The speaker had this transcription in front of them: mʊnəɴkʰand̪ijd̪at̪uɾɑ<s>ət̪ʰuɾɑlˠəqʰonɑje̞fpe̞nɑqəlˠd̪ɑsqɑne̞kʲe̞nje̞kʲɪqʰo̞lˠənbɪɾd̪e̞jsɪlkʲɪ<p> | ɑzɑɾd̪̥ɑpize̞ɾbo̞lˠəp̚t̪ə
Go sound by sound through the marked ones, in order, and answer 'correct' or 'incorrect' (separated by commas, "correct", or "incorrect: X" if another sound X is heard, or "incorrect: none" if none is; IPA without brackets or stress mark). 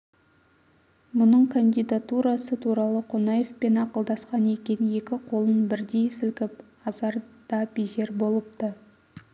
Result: correct, correct